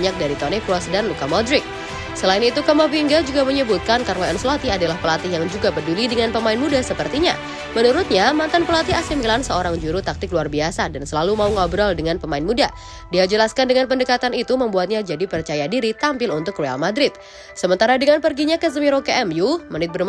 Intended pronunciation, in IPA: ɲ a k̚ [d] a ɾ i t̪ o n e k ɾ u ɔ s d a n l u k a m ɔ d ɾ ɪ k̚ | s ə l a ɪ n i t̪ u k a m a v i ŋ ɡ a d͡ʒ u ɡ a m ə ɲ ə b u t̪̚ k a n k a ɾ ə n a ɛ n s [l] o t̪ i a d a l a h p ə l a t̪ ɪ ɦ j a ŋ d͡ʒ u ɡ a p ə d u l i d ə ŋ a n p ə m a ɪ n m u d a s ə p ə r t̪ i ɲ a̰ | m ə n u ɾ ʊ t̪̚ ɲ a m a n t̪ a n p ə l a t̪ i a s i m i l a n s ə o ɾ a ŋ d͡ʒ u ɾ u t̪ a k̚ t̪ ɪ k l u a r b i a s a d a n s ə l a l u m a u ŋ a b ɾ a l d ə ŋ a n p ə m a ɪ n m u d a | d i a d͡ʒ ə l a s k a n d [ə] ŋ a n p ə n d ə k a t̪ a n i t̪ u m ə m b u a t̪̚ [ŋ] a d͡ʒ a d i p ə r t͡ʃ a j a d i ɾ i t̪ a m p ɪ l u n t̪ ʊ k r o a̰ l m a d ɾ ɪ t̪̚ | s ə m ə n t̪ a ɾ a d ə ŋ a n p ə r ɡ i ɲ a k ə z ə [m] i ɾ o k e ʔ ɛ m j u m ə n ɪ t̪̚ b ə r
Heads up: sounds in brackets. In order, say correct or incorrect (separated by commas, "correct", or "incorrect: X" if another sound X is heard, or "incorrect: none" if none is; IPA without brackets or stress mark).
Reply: correct, correct, correct, incorrect: ɲ, correct